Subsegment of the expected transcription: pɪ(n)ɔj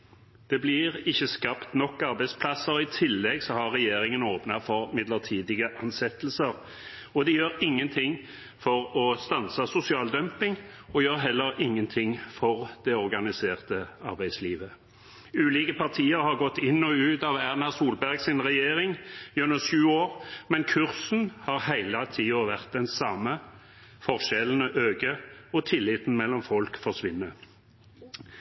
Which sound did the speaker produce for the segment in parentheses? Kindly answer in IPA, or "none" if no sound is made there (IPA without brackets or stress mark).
ŋ